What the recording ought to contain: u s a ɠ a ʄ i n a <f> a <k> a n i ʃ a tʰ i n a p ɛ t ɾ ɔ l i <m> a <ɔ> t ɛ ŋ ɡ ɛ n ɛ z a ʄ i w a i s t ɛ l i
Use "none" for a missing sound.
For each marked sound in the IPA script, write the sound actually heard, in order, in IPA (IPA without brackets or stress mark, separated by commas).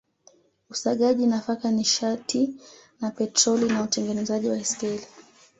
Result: f, k, n, u